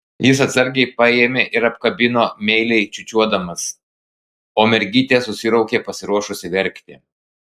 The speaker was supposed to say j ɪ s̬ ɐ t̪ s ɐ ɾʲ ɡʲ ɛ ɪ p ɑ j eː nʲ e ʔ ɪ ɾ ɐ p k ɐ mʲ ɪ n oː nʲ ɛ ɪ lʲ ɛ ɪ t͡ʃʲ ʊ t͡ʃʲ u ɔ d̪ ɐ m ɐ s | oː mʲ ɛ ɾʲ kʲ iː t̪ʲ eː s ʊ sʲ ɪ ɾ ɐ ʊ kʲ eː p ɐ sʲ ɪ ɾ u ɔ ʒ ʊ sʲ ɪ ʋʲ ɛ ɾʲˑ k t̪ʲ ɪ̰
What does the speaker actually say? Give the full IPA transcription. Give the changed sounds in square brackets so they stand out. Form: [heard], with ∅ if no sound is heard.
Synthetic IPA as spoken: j ɪ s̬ ɐ t̪ s ɐ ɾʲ ɡʲ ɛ ɪ p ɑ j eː [mʲ] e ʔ ɪ ɾ ɐ p k ɐ [bʲ] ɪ n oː [mʲ] ɛ ɪ lʲ ɛ ɪ t͡ʃʲ ʊ t͡ʃʲ u ɔ d̪ ɐ m ɐ s | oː mʲ ɛ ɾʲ [ɡʲ] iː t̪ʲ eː s ʊ sʲ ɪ ɾ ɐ ʊ kʲ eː p ɐ sʲ ɪ ɾ u ɔ [ʃ] ʊ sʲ ɪ ʋʲ ɛ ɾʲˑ k t̪ʲ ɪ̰